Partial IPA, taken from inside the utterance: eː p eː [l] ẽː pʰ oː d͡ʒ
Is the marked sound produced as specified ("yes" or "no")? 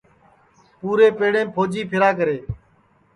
no